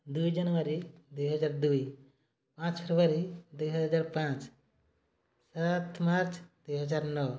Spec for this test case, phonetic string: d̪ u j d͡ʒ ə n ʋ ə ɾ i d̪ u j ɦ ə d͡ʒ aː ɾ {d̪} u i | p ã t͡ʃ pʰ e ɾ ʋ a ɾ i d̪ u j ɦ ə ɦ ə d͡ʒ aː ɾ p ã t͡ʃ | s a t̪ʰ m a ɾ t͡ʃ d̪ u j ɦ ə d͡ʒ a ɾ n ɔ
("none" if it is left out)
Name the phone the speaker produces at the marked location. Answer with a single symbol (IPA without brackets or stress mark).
d̪